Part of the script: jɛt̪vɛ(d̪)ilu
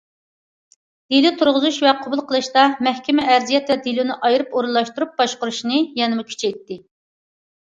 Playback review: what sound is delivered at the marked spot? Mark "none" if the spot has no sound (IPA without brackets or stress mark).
d̪